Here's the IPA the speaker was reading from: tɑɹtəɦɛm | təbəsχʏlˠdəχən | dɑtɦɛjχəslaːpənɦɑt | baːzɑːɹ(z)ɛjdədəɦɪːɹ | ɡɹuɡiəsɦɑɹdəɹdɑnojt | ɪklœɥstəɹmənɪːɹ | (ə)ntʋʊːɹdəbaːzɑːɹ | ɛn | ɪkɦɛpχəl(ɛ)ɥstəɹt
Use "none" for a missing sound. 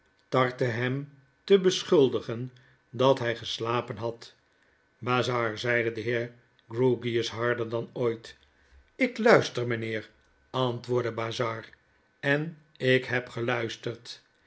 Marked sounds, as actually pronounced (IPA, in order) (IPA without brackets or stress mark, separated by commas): z, ɑ, œ